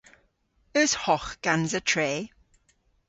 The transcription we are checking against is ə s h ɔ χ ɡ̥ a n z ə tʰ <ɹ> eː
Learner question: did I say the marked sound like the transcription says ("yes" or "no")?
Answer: yes